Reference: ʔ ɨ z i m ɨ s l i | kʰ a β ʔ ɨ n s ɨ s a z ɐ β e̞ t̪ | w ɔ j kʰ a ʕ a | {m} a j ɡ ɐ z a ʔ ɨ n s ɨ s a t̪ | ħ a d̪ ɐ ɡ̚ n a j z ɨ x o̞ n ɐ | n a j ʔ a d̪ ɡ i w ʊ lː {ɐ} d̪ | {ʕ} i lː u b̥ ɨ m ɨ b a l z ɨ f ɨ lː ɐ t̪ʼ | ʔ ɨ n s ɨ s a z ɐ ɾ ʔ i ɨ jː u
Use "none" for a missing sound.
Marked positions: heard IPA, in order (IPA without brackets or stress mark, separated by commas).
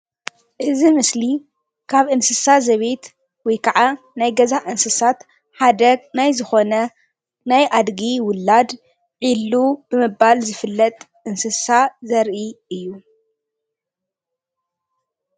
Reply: n, a, ʕ